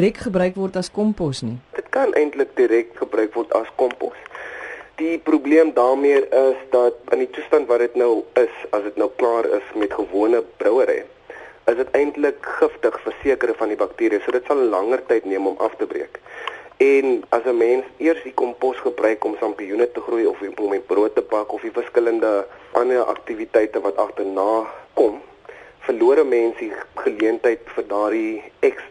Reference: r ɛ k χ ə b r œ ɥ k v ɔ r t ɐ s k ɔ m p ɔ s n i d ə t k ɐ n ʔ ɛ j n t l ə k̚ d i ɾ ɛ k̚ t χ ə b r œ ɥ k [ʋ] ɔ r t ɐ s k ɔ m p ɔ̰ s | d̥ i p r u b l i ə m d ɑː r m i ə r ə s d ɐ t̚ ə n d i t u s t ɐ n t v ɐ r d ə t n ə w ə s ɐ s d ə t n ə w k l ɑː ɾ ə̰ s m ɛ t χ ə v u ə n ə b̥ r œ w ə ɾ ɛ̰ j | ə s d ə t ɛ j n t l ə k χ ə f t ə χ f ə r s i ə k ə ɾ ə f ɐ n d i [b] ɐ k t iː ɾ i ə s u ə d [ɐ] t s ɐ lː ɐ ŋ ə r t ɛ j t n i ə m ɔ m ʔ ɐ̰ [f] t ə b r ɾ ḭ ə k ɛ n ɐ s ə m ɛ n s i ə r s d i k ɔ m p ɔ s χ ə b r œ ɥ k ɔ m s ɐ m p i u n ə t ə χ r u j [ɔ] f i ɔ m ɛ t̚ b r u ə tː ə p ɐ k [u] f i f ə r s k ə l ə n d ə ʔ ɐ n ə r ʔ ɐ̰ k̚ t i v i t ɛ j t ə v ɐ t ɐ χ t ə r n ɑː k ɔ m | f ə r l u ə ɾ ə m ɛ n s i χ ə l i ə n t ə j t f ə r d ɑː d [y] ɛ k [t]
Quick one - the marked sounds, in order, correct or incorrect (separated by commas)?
incorrect, correct, incorrect, correct, correct, incorrect, incorrect, incorrect